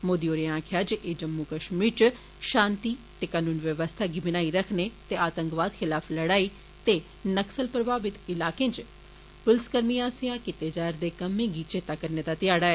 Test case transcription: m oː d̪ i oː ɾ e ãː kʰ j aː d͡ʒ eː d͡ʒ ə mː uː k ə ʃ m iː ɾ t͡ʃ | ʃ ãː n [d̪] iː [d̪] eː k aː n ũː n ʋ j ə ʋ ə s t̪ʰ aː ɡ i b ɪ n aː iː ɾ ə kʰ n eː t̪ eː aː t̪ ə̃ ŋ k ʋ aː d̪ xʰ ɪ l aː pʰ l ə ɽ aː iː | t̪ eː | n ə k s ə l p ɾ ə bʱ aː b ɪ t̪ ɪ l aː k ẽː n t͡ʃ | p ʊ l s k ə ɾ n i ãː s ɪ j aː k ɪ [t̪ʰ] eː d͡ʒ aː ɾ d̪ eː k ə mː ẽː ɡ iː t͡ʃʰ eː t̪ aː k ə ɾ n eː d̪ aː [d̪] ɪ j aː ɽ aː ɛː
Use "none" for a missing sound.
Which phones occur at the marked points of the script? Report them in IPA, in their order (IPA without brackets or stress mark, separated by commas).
t̪, t̪, t̪, t̪